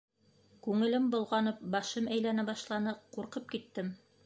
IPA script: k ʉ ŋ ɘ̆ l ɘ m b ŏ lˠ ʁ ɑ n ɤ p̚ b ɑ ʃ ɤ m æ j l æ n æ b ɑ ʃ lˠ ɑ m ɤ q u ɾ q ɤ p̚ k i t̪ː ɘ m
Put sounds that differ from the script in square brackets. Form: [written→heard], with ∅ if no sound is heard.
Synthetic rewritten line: k ʉ ŋ ɘ̆ l ɘ m b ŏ lˠ ʁ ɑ n ɤ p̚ b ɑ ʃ ɤ m æ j l æ n æ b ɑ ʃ lˠ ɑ [m→n] ɤ q u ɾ q ɤ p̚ k i t̪ː ɘ m

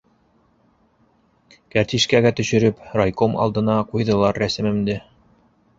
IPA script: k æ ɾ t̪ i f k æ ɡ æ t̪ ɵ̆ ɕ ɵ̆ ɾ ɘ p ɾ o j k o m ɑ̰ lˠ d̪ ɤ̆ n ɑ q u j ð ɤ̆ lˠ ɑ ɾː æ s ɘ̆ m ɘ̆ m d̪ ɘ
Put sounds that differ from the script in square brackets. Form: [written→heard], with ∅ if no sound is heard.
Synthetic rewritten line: k æ ɾ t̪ i [f→ʃ] k æ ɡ æ t̪ ɵ̆ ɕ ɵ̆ ɾ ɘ p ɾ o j k o m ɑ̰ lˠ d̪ ɤ̆ n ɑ q u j ð ɤ̆ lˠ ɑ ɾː æ s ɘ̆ m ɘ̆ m d̪ ɘ

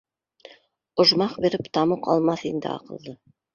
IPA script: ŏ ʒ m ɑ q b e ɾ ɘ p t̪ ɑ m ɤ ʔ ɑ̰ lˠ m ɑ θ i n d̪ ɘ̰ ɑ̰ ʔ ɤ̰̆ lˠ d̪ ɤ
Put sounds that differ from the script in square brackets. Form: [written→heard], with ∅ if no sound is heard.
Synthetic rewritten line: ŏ ʒ m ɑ q b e ɾ ɘ p t̪ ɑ m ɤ [ʔ→q] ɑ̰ lˠ m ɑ θ i n d̪ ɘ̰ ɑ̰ [ʔ→q] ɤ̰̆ lˠ d̪ ɤ

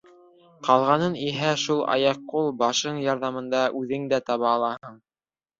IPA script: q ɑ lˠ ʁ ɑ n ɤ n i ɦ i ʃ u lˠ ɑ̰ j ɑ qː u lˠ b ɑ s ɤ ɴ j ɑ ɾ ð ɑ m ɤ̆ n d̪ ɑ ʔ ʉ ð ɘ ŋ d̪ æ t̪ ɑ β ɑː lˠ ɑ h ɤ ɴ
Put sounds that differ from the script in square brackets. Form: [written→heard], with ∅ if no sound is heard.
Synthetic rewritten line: q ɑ lˠ ʁ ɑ n ɤ n i ɦ [i→æ] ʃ u lˠ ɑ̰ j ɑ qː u lˠ b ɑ [s→ʃ] ɤ ɴ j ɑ ɾ ð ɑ m ɤ̆ n d̪ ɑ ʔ ʉ ð ɘ ŋ d̪ æ t̪ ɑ β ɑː lˠ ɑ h ɤ ɴ

